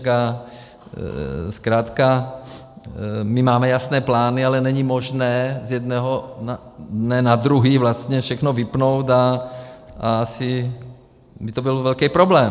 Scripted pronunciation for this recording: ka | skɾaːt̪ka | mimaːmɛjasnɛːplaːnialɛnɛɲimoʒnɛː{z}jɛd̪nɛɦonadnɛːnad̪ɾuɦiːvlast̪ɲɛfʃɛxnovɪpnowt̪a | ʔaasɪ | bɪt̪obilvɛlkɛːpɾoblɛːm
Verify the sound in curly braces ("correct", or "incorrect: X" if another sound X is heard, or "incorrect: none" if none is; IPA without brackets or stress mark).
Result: correct